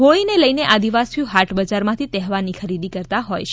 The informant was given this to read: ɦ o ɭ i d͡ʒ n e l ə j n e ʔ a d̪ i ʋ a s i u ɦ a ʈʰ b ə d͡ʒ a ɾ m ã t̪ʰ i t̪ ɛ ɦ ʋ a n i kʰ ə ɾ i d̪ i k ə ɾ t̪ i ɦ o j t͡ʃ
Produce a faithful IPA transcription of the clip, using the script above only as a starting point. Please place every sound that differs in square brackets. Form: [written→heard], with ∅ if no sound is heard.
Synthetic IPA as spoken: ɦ o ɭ i [d͡ʒ→∅] n e l ə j n e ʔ a d̪ i ʋ a s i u ɦ a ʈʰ b ə d͡ʒ a ɾ m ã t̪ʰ i t̪ ɛ ɦ ʋ a n i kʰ ə ɾ i d̪ i k ə ɾ t̪ [i→a] ɦ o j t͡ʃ